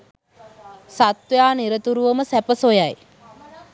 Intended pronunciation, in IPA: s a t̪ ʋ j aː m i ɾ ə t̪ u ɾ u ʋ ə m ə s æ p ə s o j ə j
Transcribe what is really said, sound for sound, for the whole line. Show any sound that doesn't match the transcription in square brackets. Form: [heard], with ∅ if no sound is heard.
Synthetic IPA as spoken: s a t̪ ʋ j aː [n] i ɾ ə t̪ u ɾ u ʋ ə m ə s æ p ə s o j [a] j